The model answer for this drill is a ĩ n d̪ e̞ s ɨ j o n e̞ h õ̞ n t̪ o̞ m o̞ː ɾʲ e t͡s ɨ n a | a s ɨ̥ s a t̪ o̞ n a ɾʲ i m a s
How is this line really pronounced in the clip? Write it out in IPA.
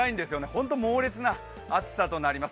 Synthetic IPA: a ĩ n d̪ e̞ s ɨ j o n e̞ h õ̞ n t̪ o̞ m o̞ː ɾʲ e t͡s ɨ n a | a t͡s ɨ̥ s a t̪ o̞ n a ɾʲ i m a s

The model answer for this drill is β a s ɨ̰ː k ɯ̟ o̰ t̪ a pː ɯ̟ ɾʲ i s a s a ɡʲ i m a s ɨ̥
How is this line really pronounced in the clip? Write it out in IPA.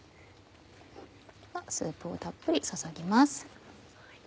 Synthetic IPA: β a s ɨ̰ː p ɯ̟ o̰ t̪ a pː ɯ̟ ɾʲ i s a s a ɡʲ i m a s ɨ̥

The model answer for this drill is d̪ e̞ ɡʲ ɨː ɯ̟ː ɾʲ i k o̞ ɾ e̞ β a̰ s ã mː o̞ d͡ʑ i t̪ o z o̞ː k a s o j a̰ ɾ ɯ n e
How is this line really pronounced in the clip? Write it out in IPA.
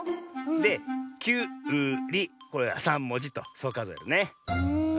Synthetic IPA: d̪ e̞ kʲ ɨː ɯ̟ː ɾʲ i k o̞ ɾ e̞ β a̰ s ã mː o̞ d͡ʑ i t̪ o s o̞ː k a z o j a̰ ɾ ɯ n e

